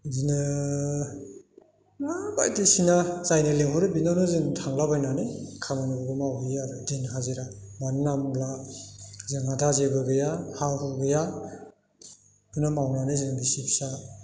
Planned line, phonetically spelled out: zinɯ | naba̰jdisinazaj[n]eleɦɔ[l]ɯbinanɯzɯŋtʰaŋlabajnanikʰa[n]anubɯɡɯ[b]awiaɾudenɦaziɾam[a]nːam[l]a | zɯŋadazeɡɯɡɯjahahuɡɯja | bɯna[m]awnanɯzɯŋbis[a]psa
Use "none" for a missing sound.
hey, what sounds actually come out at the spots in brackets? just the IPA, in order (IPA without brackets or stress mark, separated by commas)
n, ɾ, m, m, a, l, m, i